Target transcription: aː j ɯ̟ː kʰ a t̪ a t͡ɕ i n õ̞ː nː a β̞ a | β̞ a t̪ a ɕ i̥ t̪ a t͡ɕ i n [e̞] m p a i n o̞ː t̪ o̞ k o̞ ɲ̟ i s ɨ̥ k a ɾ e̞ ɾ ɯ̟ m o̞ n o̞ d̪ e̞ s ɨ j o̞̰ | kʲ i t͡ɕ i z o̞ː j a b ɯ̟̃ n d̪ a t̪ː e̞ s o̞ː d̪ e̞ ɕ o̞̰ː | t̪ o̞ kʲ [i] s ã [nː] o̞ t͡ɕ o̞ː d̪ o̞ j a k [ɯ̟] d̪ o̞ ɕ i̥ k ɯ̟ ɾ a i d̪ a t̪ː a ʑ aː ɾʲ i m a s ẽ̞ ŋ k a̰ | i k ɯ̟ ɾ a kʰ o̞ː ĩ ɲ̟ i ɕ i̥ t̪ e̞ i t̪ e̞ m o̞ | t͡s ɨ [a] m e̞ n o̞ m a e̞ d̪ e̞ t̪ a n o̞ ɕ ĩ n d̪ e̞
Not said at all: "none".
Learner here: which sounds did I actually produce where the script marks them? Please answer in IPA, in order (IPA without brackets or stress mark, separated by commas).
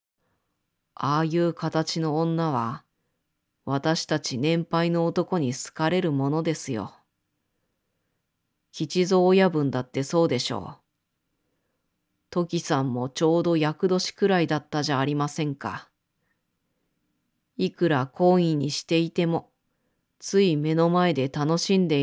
ẽ̞, i, mː, ɯ̟, i